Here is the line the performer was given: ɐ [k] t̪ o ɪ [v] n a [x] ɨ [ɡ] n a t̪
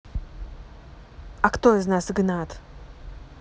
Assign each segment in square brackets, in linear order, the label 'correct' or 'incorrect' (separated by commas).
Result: correct, incorrect, incorrect, correct